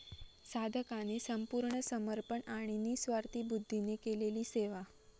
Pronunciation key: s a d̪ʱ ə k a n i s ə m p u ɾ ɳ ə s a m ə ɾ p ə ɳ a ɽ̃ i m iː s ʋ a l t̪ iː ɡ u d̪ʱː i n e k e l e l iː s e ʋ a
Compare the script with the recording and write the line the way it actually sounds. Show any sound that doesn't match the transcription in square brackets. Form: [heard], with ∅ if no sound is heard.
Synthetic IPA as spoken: s a d̪ʱ ə k a n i s ə m p u ɾ ɳ ə s [ə] m ə ɾ p ə ɳ a ɽ̃ i [n] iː s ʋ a [ɾ] t̪ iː [b] u d̪ʱː i n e k e l e l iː s e ʋ a